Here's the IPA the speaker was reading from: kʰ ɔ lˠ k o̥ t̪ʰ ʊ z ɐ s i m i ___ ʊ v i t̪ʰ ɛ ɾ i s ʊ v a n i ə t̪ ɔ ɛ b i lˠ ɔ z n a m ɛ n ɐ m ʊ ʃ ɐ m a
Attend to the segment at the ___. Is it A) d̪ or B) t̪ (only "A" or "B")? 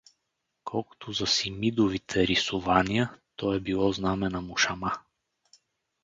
A